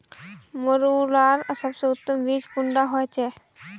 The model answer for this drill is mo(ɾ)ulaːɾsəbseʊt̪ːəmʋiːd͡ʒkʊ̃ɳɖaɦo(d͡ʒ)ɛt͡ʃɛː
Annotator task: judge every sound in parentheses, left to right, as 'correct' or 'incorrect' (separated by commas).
correct, incorrect